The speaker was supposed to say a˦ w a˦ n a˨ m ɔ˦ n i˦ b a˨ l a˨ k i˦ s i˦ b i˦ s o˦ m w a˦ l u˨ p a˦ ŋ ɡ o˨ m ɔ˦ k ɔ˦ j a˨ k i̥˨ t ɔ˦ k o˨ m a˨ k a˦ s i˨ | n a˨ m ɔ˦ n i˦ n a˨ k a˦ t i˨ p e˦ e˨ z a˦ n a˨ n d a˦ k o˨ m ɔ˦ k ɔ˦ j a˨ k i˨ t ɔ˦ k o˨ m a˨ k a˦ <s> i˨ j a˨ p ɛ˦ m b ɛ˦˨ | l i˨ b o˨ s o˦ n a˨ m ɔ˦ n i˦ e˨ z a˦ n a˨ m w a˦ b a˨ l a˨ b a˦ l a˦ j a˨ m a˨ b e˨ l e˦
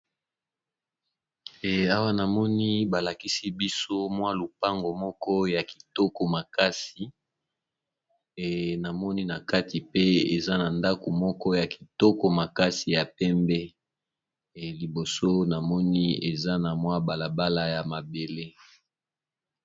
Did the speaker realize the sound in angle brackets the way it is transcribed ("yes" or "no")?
yes